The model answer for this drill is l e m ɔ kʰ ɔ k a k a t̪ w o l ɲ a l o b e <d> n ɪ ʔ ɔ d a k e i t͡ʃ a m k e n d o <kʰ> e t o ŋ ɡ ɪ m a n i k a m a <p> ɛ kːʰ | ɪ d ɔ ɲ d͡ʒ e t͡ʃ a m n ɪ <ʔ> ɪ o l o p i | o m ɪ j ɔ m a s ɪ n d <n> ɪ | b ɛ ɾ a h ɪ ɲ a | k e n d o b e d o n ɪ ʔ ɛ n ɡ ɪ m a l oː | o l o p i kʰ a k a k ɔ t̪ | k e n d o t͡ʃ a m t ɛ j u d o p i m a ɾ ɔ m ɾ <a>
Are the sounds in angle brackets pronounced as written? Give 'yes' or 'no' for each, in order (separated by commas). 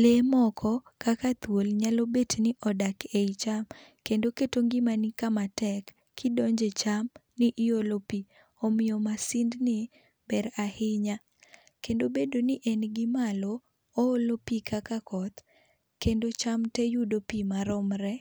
no, no, no, yes, yes, no